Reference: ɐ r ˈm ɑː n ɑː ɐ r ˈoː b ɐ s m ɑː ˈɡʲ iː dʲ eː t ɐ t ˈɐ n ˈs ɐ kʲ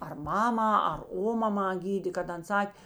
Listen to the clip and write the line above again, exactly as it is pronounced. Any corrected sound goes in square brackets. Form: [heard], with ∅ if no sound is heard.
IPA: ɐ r ˈm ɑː [m] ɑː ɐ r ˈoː [m] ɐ [∅] m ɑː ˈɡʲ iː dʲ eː [k] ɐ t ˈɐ n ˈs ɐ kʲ